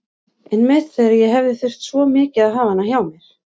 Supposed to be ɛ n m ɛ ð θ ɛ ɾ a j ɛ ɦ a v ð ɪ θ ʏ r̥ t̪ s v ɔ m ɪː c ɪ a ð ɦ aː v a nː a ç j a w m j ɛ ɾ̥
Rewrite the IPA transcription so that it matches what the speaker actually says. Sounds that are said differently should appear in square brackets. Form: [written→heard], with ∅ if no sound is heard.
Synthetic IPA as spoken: ɛ n m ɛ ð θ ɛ ɾ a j ɛ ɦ [a→ɛ] v ð ɪ θ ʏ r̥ t̪ s v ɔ m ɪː c ɪ a ð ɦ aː v a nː a ç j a w m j ɛ ɾ̥